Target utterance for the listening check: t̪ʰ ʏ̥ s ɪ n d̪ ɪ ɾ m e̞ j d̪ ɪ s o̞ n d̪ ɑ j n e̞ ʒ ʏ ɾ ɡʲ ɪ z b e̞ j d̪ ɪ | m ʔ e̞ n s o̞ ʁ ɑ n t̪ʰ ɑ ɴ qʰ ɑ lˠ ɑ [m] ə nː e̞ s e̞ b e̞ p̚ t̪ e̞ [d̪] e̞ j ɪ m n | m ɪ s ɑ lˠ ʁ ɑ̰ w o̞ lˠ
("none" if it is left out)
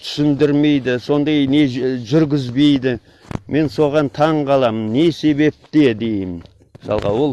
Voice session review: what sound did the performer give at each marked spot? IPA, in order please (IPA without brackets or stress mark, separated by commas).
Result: m, d̪